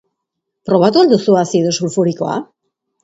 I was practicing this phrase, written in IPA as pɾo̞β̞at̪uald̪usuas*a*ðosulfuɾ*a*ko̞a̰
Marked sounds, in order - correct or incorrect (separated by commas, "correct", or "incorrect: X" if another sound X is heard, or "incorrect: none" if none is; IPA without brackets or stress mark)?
incorrect: i, incorrect: i